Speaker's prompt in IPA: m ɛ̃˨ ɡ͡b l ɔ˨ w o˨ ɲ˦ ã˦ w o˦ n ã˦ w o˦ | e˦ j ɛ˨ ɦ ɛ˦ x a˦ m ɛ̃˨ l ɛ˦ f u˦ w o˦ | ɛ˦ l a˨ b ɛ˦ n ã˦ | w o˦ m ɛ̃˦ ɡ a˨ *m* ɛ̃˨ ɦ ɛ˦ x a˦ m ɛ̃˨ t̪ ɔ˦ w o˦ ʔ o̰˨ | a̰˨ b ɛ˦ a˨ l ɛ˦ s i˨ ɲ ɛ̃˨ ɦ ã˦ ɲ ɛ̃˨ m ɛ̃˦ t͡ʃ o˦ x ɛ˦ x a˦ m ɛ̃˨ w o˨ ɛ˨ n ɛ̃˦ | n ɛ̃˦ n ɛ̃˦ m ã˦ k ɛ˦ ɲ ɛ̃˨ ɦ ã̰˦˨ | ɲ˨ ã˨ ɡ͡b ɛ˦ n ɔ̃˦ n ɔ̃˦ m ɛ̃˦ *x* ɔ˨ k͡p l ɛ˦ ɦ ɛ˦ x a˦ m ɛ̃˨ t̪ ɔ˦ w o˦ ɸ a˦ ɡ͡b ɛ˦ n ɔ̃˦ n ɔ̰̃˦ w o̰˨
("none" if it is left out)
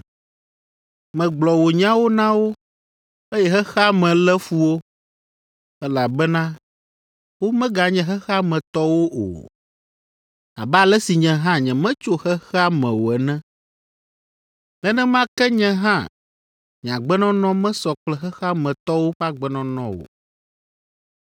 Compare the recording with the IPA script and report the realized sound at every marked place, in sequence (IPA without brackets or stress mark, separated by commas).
ɲ, s